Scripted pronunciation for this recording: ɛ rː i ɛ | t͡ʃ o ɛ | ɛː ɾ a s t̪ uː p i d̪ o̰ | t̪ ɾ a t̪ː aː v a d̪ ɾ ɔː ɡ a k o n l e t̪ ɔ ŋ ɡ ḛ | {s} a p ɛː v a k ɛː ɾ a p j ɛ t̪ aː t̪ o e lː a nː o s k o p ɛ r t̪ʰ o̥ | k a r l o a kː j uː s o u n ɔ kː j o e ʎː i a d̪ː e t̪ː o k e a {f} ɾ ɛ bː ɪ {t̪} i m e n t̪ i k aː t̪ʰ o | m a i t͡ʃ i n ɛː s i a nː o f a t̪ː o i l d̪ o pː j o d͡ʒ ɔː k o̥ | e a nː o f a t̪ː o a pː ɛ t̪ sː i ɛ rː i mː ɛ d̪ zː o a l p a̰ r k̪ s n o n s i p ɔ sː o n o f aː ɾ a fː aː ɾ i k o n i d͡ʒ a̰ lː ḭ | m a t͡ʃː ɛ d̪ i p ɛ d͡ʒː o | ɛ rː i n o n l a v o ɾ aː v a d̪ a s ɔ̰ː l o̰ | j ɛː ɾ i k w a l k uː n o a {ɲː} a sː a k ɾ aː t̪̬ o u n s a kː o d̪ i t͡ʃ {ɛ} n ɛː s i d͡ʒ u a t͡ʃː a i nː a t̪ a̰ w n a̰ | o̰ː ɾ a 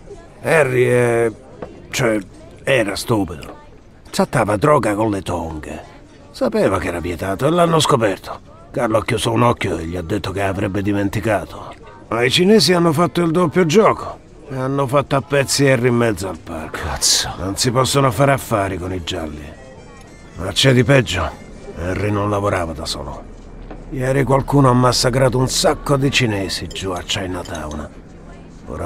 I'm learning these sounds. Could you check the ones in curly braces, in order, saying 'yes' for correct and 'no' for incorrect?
yes, no, no, no, no

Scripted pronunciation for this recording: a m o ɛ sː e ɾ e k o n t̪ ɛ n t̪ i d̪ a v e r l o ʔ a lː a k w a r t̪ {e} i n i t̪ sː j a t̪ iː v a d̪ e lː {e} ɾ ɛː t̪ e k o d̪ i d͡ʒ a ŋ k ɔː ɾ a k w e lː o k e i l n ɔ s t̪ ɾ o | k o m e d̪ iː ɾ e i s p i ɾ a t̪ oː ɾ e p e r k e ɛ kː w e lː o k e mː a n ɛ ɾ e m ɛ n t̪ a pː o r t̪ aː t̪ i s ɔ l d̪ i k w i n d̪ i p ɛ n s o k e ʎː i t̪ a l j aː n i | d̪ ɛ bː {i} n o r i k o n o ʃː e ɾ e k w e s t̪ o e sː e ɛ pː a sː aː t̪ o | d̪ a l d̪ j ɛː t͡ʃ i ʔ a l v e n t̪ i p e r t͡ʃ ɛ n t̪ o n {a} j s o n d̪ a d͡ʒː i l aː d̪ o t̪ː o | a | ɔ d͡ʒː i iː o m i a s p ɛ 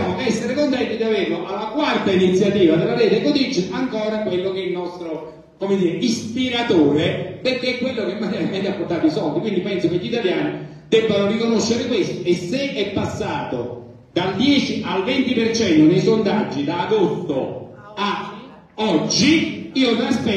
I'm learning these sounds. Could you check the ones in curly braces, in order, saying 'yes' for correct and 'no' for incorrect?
no, no, no, no

